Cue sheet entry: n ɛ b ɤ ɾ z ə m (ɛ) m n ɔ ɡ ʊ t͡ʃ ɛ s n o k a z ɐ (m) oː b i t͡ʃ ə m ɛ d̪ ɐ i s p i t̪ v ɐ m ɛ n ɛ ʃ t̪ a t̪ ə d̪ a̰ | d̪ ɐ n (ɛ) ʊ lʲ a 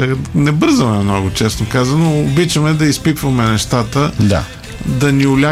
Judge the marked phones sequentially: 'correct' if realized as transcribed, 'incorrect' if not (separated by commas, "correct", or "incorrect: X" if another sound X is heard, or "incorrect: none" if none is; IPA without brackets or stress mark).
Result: correct, incorrect: n, incorrect: i